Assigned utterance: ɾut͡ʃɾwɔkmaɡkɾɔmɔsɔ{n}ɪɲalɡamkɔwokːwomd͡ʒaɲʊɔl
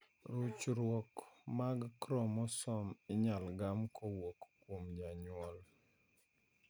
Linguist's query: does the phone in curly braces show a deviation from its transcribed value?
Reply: yes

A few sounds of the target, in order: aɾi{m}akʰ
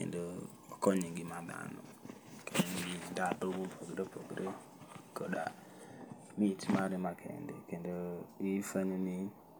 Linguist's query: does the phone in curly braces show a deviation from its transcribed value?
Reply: no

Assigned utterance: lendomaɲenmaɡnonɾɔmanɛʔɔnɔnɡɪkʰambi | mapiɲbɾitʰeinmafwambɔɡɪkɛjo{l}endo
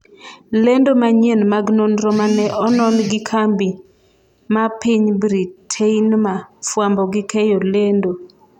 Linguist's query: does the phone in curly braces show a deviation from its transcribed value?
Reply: no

